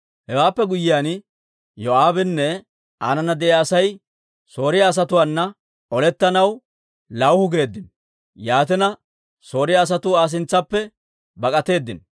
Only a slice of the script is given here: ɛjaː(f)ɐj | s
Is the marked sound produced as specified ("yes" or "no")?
no